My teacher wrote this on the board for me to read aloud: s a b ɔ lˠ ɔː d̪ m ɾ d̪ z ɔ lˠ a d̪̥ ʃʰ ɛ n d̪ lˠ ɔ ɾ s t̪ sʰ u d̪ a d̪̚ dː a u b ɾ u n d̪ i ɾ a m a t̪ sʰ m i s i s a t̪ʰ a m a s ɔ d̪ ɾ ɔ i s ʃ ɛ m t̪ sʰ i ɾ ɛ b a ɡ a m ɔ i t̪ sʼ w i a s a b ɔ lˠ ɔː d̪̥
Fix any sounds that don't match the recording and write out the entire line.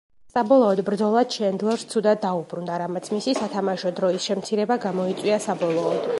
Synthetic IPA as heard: s a b ɔ lˠ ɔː d̪ b ɾ d̪ z ɔ lˠ a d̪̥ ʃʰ ɛ n d̪ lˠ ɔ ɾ s t̪ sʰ u d̪ a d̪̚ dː a u b ɾ u n d̪ a ɾ a m a t̪ sʰ m i s i s a t̪ʰ a m a ʃ ɔ d̪ ɾ ɔ i s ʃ ɛ m t̪ sʰ i ɾ ɛ b a ɡ a m ɔ i t̪ sʼ w i a s a b ɔ lˠ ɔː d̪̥